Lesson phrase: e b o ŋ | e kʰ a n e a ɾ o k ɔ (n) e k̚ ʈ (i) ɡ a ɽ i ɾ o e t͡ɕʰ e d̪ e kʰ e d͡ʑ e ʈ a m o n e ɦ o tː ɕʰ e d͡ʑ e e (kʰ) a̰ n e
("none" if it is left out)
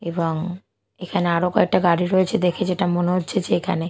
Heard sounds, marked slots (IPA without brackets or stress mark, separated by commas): none, a, kʰ